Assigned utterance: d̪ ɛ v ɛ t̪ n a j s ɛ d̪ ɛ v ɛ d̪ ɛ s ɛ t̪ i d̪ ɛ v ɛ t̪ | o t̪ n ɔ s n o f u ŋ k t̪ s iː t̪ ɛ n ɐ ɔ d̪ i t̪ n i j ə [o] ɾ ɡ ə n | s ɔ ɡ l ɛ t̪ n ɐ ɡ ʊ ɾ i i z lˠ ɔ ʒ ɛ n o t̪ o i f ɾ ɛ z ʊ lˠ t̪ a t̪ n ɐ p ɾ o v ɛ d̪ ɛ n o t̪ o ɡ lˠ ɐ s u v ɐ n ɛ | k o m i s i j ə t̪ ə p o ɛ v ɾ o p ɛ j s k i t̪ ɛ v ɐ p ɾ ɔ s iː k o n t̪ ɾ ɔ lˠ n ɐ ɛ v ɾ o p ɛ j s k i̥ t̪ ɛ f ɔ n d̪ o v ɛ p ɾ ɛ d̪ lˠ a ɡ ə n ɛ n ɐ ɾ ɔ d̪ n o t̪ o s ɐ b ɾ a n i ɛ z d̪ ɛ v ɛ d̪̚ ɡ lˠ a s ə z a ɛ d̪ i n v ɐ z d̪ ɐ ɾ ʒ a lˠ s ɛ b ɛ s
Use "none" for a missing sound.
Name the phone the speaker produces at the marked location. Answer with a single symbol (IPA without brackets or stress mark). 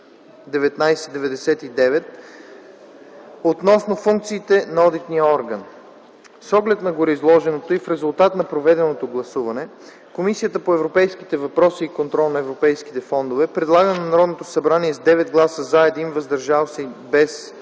ɔ